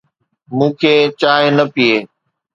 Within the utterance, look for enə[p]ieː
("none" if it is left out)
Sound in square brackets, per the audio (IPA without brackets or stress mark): p